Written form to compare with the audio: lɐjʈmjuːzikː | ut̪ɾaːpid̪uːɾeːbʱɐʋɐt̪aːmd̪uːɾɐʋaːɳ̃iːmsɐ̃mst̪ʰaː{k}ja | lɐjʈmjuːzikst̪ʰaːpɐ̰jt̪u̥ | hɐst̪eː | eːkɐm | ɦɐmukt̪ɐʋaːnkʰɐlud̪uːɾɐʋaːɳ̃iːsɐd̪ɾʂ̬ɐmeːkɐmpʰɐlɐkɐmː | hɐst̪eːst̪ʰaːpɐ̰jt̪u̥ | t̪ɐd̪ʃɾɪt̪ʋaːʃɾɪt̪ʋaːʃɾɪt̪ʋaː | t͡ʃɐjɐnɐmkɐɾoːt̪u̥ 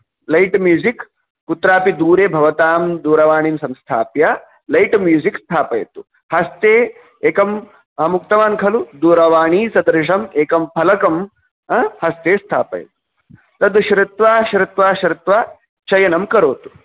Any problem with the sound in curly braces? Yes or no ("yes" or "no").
yes